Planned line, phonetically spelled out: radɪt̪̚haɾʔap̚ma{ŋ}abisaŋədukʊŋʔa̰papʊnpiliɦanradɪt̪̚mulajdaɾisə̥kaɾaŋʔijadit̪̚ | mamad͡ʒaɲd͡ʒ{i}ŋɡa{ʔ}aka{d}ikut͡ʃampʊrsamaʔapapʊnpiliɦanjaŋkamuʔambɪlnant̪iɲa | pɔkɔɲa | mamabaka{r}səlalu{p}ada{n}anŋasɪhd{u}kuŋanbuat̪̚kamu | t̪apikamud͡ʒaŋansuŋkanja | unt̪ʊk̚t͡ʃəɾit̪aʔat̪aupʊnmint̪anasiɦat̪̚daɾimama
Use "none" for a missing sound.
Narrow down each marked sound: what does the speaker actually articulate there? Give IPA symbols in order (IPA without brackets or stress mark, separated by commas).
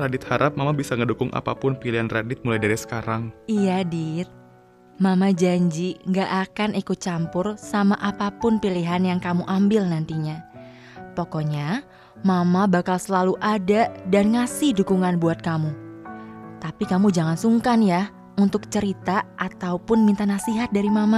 m, i, ʔ, n, l, ʔ, d, u